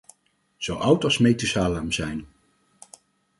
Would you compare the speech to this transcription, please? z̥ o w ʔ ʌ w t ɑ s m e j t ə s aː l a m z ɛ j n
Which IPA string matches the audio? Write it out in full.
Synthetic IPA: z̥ o w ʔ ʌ w t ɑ s m e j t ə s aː l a m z ɛ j n